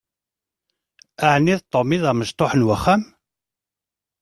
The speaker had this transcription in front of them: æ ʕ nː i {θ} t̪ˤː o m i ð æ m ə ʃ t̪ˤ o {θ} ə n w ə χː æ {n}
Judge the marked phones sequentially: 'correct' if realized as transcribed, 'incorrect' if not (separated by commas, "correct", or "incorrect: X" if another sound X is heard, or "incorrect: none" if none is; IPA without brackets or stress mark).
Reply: incorrect: ð, incorrect: ħ, incorrect: m